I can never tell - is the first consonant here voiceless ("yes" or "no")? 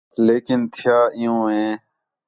no